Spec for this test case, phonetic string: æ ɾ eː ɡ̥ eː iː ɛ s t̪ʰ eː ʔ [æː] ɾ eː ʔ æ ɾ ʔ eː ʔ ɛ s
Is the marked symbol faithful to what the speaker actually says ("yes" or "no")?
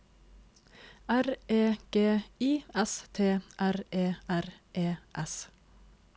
no